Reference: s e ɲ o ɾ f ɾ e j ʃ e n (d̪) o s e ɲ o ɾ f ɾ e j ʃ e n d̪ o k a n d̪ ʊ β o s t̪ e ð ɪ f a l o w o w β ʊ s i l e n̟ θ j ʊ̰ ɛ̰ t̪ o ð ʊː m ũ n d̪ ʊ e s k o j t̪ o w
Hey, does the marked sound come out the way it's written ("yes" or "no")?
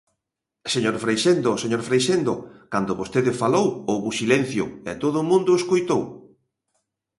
yes